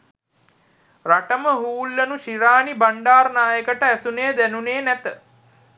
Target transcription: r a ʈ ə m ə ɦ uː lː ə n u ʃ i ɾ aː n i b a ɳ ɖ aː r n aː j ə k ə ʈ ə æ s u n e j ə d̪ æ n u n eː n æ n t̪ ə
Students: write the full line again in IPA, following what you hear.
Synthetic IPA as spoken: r a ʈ ə m ə ɦ uː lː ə n u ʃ i ɾ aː n i b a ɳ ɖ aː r n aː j ə k ə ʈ ə æ s u n e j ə d̪ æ n u n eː n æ t̪ ə